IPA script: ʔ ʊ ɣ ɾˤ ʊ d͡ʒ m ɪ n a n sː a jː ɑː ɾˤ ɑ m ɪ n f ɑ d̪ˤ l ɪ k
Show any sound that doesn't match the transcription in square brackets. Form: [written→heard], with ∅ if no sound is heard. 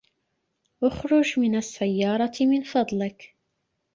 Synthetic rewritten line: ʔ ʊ [ɣ→x] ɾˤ ʊ d͡ʒ m ɪ n a [n→∅] sː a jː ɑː ɾˤ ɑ m ɪ n f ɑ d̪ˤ l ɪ k